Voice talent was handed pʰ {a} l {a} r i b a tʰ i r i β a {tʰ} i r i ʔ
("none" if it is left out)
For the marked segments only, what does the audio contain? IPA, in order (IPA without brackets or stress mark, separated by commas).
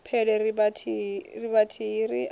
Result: ɛ, ɛ, tʰ